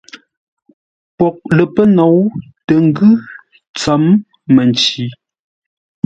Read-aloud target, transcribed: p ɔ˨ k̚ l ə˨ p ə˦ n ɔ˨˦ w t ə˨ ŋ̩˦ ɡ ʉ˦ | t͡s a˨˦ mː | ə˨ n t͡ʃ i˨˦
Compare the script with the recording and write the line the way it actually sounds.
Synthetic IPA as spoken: p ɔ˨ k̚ l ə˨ p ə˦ n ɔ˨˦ w t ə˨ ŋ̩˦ ɡ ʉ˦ | t͡s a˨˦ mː | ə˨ n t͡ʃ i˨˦